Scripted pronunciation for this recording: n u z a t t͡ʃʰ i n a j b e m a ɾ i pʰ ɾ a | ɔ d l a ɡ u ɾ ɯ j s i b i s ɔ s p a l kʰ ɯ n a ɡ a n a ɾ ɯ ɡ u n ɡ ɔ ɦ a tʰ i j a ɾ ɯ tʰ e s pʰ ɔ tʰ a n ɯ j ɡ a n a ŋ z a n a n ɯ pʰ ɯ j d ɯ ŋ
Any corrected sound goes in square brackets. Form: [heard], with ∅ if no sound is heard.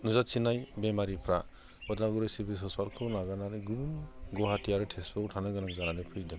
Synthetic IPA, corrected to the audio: n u z a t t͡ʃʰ i n a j b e m a ɾ i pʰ ɾ a | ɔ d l a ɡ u ɾ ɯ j s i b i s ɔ s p a l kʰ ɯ n a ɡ a n a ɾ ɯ ɡ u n ɡ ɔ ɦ a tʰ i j a ɾ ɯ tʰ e s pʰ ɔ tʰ a n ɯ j ɡ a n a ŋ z a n a n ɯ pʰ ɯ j d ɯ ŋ